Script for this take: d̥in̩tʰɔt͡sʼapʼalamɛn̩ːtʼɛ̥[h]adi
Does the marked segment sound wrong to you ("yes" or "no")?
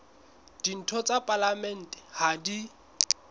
no